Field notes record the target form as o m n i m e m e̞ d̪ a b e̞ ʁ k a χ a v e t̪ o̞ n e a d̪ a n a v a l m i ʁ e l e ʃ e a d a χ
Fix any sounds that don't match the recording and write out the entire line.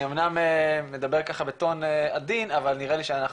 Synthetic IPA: o m n a m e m e̞ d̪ a b e̞ ʁ k a χ a b e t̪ o̞ n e a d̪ i n a v a l n i ʁ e l i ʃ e a n a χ